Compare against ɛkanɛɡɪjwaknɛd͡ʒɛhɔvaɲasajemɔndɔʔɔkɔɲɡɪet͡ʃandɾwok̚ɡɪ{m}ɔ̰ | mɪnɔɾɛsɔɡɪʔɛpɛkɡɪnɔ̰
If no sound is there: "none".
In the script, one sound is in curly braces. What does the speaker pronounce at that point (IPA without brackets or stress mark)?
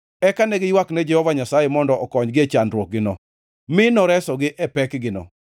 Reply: n